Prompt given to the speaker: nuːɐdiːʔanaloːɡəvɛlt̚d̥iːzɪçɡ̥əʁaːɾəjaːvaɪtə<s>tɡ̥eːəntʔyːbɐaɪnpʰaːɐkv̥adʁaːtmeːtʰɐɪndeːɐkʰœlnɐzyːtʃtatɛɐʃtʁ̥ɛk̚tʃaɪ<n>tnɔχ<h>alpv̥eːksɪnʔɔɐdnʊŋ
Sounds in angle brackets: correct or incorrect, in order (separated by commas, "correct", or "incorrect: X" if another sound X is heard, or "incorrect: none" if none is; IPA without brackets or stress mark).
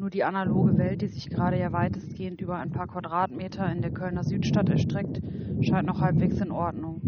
correct, correct, correct